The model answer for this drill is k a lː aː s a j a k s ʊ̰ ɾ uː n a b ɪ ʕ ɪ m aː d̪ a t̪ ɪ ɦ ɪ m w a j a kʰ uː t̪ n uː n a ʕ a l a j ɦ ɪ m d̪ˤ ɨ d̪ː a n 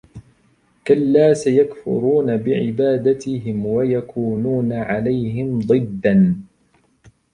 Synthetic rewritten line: k a lː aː s a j a k f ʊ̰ ɾ uː n a b ɪ ʕ ɪ b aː d̪ a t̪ ɪ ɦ ɪ m w a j a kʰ uː n uː n a ʕ a l a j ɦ ɪ m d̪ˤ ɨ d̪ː a n